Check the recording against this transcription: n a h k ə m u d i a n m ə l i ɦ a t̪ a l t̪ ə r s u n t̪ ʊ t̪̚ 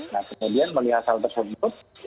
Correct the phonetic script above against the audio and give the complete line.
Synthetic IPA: n a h k ə m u d i a n m ə l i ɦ a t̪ a l t̪ ə r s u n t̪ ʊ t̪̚